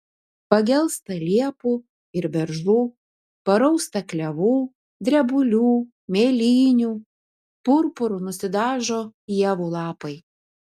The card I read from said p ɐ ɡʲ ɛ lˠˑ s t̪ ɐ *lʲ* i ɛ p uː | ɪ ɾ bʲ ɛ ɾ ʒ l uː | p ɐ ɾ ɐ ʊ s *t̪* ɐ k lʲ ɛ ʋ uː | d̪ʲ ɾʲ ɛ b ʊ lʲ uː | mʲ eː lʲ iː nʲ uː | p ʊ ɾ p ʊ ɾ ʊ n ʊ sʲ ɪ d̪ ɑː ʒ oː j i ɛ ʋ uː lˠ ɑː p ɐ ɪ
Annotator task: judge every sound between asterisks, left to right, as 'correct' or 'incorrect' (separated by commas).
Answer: correct, correct